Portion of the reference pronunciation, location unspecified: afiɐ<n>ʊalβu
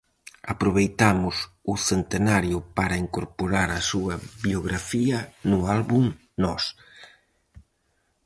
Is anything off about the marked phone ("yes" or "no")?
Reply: no